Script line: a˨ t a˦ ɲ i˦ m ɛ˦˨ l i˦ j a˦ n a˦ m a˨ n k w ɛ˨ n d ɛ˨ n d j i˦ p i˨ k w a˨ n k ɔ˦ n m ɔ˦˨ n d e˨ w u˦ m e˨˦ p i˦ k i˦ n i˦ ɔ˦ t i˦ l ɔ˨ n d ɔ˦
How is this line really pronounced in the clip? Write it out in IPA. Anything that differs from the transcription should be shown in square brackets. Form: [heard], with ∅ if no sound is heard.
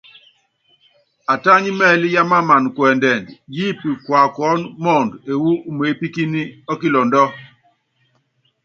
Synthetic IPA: a˨ t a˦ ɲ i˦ m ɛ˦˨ l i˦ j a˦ [m] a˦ m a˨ n k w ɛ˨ n d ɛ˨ n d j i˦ p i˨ k w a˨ [∅] k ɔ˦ n m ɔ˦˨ n d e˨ w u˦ m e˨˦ p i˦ k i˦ n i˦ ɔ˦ [k] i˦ l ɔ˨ n d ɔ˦